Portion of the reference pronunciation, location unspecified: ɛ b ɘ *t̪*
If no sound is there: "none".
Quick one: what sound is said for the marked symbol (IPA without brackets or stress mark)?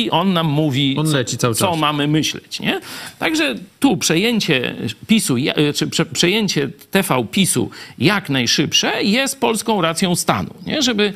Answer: none